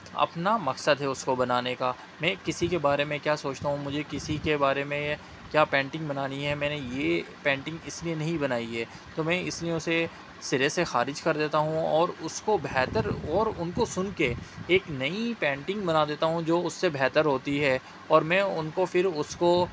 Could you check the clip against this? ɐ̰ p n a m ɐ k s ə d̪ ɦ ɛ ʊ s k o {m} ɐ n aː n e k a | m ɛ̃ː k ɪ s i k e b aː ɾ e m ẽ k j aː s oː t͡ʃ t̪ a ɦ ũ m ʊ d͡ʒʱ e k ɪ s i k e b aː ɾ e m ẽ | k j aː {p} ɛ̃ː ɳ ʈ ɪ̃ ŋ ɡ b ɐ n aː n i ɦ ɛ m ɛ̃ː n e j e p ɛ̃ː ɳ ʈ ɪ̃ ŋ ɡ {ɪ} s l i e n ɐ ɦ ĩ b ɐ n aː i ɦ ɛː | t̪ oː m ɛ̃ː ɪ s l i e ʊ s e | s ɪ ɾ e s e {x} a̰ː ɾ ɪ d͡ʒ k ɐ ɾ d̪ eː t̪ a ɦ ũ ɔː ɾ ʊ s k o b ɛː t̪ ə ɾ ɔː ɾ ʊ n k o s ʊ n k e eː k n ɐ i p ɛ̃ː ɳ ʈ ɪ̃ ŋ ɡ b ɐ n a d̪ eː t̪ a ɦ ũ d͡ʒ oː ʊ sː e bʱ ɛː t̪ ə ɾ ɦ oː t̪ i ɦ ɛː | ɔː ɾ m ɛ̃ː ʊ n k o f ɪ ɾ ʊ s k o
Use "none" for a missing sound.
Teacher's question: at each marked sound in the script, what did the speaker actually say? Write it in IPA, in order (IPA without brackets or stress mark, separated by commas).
b, p, ɪ, x